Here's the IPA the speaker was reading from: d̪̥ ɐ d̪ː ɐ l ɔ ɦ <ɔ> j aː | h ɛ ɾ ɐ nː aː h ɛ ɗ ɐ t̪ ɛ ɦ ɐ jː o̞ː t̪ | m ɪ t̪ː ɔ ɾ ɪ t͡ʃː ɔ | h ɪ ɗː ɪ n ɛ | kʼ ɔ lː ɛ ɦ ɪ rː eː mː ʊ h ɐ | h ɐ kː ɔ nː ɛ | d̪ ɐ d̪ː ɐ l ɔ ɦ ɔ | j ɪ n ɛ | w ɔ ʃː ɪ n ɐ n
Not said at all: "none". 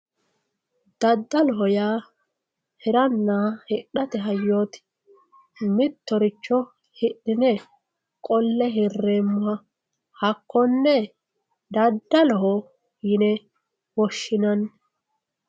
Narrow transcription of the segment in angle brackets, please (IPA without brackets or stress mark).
ɔ